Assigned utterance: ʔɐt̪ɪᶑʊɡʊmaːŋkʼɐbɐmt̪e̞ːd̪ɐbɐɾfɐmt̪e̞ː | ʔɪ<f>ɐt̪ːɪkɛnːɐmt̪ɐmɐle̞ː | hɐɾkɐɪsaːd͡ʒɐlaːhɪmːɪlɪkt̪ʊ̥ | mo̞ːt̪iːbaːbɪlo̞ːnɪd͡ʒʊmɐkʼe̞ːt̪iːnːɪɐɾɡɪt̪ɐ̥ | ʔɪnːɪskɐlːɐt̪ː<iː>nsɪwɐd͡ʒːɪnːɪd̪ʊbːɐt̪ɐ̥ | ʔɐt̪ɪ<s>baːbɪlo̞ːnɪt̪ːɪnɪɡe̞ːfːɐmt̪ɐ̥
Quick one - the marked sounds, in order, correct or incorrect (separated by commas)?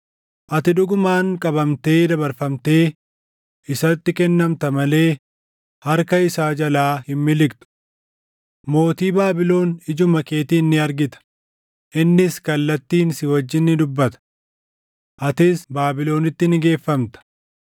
incorrect, correct, correct